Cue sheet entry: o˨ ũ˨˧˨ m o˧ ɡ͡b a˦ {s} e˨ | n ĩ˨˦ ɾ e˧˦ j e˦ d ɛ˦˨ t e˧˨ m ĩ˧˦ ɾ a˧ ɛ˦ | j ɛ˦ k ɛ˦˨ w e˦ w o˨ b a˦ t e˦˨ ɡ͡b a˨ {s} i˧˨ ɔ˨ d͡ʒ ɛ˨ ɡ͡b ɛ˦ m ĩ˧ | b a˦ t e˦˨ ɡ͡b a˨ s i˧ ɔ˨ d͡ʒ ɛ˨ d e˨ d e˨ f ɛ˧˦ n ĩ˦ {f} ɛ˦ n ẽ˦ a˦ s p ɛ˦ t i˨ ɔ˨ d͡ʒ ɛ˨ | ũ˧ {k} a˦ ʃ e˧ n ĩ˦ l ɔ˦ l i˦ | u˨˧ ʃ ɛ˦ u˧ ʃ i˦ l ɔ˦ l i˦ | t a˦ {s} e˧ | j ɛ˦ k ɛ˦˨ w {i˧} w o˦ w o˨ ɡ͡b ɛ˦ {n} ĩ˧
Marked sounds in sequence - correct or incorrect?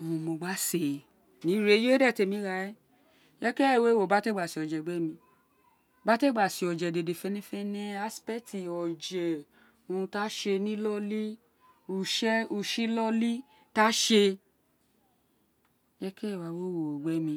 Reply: correct, correct, correct, incorrect, incorrect, incorrect, incorrect

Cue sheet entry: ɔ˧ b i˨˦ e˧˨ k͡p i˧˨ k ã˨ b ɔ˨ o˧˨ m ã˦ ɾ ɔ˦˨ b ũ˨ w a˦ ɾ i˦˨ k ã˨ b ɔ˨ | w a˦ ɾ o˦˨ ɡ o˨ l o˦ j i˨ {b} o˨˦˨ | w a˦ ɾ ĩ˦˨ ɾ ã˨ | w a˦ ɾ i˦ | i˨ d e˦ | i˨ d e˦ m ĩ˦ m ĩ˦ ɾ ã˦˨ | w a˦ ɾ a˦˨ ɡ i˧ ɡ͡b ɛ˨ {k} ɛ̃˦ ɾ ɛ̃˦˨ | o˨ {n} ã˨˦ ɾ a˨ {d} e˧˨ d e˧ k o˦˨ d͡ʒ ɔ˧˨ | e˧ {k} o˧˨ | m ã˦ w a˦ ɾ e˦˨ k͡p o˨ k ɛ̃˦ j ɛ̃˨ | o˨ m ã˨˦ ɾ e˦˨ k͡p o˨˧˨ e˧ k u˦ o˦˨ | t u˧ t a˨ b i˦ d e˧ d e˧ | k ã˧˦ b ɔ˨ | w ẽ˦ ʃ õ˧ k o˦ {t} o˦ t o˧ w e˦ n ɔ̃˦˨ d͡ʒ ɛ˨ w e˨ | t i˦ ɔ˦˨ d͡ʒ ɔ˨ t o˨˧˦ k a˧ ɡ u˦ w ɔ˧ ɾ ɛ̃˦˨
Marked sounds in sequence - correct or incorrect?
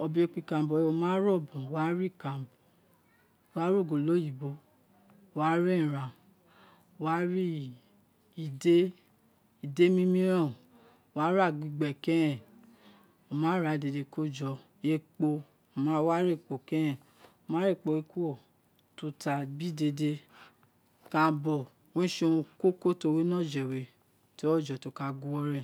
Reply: correct, correct, incorrect, correct, incorrect, incorrect

